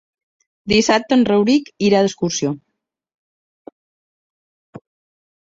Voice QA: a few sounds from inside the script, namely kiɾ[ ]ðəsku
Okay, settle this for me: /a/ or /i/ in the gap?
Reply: a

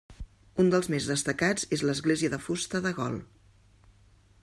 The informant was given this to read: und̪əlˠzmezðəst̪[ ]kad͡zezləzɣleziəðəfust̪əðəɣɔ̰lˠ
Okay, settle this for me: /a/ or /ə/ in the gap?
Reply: ə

